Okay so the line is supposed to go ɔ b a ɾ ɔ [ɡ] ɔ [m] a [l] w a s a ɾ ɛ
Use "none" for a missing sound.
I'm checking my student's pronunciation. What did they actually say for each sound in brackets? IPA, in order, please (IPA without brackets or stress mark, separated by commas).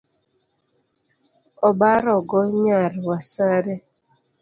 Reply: ɡ, ɲ, ɾ